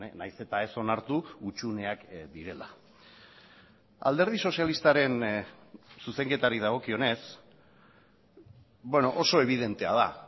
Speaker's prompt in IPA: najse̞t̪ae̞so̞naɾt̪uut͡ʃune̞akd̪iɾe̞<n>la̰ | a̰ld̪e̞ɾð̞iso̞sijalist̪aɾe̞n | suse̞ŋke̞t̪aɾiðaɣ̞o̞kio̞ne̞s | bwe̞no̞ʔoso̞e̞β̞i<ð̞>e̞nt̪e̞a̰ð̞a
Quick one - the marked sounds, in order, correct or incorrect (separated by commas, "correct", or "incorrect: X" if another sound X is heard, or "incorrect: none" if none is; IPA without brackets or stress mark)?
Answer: incorrect: none, correct